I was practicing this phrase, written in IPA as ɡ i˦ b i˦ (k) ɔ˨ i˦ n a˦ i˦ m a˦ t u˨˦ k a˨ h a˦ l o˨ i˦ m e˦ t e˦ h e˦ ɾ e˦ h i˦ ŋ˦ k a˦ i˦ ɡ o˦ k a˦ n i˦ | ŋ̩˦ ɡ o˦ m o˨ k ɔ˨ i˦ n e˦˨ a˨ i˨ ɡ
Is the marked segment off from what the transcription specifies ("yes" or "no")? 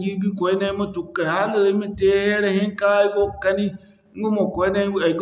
no